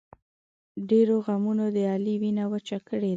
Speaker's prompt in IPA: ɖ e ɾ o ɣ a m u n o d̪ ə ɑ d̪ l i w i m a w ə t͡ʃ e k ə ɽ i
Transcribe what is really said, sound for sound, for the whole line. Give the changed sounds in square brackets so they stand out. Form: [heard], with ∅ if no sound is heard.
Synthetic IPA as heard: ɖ e ɾ o ɣ a m u n o d̪ ə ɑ [∅] l i w i [n] a w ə t͡ʃ [a] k ə ɽ [e]